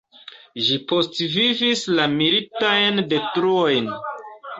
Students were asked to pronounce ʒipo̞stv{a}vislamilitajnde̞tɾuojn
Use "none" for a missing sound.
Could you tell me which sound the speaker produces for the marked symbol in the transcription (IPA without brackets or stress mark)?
i